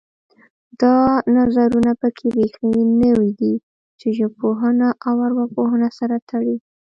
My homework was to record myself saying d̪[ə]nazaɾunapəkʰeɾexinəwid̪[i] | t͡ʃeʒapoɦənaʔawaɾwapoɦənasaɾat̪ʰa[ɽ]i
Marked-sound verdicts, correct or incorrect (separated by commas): incorrect, correct, correct